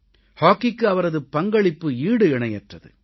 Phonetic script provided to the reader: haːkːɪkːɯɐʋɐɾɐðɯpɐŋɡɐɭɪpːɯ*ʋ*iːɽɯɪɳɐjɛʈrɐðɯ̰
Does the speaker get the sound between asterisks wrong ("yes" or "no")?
yes